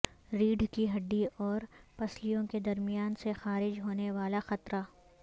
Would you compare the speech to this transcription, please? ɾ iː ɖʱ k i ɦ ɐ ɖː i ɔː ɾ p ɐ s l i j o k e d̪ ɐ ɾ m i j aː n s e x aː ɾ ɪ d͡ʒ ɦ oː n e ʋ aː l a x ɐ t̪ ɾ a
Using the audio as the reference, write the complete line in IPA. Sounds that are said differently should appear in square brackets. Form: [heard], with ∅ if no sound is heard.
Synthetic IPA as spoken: ɾ iː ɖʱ k i ɦ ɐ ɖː i ɔː ɾ p ɐ s l i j [õ] k e d̪ ɐ ɾ m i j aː n s e x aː ɾ ɪ d͡ʒ ɦ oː n e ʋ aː l a x ɐ t̪ ɾ a